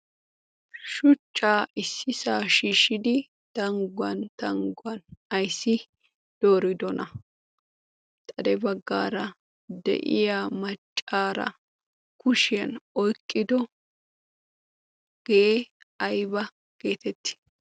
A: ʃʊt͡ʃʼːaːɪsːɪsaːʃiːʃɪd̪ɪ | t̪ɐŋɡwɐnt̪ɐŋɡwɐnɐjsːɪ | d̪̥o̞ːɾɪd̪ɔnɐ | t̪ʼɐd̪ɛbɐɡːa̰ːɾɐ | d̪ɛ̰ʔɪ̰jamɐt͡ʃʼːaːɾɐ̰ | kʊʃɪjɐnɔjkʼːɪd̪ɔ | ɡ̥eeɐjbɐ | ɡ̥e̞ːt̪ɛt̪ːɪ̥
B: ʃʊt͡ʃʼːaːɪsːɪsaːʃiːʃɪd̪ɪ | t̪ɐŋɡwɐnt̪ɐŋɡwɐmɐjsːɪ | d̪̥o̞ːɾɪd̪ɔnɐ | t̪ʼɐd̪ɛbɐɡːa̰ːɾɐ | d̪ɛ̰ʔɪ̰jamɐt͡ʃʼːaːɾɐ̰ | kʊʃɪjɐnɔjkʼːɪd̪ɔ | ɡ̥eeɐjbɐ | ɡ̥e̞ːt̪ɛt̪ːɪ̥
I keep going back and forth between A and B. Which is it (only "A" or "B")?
A